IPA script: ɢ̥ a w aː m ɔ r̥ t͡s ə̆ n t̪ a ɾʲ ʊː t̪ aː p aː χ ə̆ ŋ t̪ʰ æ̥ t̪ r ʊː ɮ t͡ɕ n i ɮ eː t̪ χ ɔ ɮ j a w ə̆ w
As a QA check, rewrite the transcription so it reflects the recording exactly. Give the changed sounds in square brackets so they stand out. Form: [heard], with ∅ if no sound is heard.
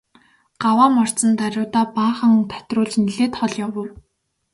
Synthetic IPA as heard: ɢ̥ a w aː m ɔ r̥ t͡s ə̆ n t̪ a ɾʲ ʊː t̪ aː p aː χ ə̆ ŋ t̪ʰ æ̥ t̪ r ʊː ɮ t͡ɕ n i ɮ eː t̪ χ ɔ ɮ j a w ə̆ w